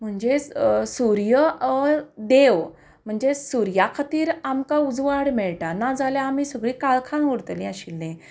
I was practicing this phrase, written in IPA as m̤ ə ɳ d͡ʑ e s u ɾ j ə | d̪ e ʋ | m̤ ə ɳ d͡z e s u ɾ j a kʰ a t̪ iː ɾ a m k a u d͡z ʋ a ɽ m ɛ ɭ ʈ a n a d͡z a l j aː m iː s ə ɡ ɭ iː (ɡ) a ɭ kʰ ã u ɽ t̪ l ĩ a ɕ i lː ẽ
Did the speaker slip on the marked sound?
yes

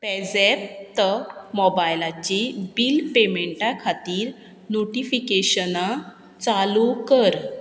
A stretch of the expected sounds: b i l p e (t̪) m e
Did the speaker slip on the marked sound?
yes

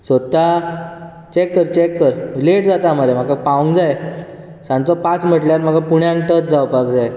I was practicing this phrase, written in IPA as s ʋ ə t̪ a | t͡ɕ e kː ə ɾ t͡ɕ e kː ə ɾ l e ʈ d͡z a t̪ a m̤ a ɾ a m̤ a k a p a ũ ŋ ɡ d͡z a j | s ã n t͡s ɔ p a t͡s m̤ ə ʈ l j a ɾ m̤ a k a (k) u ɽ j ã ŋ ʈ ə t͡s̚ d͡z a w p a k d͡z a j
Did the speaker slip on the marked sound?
yes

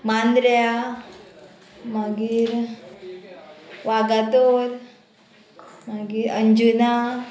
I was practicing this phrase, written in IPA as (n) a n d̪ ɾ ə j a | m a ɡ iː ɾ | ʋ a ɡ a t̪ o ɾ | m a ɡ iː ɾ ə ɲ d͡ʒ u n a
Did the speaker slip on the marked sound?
yes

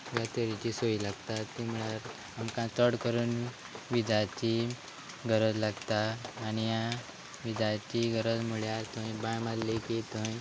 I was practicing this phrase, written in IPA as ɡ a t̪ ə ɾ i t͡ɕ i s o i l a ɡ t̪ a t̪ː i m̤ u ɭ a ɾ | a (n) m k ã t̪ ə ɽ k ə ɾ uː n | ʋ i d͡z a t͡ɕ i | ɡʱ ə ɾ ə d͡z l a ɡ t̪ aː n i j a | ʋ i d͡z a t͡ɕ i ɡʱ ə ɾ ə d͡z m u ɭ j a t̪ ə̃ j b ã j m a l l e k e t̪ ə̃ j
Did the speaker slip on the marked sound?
yes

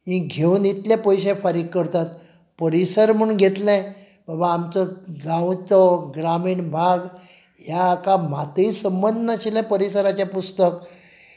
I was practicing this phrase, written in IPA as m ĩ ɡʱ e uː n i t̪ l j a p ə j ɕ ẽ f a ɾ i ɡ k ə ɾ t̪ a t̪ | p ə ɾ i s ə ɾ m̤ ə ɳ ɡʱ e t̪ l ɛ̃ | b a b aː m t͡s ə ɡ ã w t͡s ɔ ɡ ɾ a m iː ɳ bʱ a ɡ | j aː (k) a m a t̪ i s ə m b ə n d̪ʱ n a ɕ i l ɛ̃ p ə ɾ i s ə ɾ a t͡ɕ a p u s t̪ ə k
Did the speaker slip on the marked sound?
no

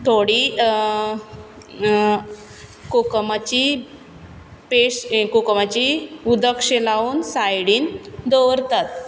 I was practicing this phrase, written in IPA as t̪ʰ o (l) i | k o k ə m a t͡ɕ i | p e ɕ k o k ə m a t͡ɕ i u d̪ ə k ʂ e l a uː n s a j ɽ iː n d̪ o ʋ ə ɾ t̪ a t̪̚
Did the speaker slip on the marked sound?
yes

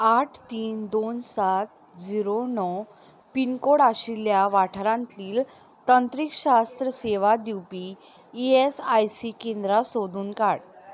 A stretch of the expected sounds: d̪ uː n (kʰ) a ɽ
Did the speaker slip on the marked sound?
yes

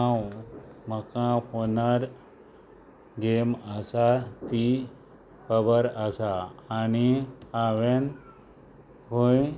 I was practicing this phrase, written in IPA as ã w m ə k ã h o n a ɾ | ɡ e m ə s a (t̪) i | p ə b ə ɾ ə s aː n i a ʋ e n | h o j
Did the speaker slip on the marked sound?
no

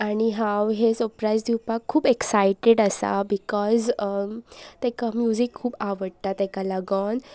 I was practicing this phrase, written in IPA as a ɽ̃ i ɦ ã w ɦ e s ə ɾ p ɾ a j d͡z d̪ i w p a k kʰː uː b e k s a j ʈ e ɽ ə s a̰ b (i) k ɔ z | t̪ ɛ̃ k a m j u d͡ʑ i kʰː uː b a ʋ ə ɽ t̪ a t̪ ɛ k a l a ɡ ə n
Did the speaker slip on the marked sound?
no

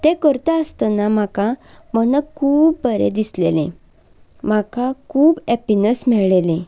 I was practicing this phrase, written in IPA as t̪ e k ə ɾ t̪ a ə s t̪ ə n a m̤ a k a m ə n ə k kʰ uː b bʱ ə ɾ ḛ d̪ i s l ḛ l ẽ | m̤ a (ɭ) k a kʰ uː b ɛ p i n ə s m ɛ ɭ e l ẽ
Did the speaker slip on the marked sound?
yes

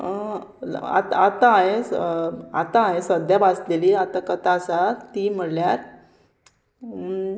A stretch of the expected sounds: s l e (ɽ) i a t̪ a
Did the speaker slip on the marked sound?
yes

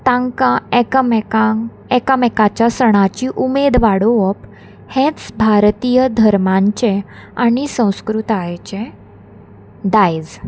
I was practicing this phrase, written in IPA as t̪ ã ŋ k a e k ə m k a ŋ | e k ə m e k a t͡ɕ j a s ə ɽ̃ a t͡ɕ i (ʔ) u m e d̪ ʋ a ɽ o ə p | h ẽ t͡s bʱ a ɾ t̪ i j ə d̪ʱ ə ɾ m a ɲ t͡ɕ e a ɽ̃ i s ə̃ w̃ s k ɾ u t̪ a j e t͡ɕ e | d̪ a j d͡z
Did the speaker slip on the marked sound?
no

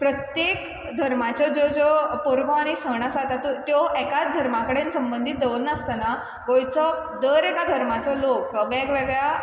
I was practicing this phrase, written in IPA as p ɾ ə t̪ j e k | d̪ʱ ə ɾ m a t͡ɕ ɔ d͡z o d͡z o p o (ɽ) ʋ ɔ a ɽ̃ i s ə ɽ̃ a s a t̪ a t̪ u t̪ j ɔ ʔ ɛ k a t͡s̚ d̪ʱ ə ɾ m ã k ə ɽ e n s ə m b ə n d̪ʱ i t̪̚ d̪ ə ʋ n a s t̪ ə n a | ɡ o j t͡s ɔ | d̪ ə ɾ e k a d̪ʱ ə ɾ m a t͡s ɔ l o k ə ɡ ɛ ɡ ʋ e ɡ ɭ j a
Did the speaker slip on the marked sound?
yes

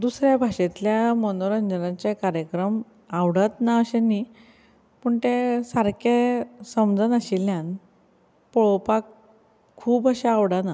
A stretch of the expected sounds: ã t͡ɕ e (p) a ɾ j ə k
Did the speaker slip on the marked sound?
yes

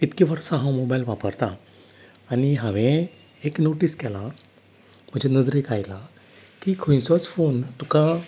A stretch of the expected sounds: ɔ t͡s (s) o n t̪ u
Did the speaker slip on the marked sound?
yes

